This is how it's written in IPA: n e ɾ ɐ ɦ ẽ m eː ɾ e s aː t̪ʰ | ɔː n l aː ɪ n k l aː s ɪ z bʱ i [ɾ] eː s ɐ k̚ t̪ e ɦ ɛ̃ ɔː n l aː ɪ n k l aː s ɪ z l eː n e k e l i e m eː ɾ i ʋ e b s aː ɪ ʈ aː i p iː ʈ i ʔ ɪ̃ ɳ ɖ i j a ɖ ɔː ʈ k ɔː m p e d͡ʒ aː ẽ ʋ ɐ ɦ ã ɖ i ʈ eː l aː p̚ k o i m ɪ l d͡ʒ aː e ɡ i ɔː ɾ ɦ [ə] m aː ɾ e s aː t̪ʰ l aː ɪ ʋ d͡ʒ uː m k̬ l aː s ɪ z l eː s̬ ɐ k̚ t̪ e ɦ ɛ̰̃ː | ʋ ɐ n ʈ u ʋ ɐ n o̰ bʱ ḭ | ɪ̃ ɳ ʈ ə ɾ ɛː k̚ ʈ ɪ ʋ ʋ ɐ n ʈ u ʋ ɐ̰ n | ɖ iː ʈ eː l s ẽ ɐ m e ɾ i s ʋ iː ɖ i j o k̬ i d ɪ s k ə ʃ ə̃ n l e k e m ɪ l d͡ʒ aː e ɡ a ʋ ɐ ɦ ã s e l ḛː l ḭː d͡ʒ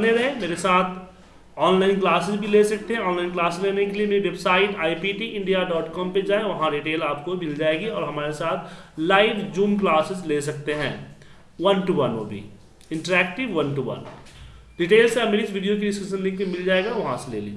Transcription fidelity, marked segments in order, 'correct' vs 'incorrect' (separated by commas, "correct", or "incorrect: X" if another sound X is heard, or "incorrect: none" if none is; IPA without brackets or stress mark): incorrect: l, incorrect: ɐ